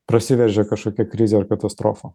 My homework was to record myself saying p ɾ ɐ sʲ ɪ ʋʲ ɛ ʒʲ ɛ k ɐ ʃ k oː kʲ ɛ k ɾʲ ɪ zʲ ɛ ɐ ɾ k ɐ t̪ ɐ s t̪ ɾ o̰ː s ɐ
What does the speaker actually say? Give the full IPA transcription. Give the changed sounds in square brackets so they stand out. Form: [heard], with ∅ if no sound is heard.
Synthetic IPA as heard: p ɾ ɐ sʲ ɪ ʋʲ ɛ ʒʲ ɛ k ɐ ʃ k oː kʲ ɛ k ɾʲ ɪ zʲ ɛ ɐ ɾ k ɐ t̪ ɐ s t̪ ɾ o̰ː [f] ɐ